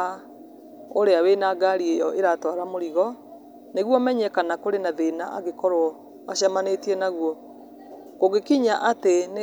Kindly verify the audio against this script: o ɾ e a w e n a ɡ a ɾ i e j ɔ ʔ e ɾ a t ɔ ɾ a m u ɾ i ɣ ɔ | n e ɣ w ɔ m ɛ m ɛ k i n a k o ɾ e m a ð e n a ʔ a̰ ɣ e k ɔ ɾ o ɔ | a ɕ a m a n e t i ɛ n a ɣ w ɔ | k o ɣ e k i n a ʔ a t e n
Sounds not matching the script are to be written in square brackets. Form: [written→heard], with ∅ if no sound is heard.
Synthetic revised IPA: o ɾ e a w e n a ɡ a ɾ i e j ɔ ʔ e ɾ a t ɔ ɾ a m [u→o] ɾ i ɣ ɔ | n e ɣ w ɔ m ɛ [m→ɲ] ɛ k [i→a] n a k o ɾ e [m→n] a ð e n a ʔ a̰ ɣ e k ɔ ɾ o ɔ | a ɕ a m a n e t i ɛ n a ɣ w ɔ | k o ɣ e k i [n→ɲ] a ʔ a t e n